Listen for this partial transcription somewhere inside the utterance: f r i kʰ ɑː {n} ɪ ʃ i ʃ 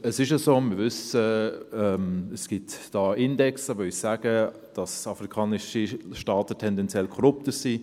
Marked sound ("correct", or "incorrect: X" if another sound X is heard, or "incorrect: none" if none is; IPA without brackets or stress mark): correct